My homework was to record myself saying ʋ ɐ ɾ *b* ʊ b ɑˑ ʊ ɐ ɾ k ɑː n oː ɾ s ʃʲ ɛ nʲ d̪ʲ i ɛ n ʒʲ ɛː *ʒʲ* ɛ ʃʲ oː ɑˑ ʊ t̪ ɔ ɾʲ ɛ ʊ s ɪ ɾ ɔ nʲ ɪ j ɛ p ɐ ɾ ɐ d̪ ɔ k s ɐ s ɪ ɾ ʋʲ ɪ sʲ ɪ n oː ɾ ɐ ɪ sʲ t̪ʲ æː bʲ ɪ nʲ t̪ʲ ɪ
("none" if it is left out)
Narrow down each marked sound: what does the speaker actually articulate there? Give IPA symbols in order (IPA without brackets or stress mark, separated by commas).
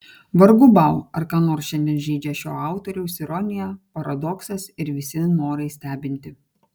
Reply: ɡ, d͡ʒʲ